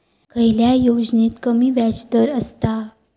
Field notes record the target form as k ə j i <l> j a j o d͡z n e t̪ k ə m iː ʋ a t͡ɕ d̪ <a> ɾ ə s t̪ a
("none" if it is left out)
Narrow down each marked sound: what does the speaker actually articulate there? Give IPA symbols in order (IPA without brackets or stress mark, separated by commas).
l, ə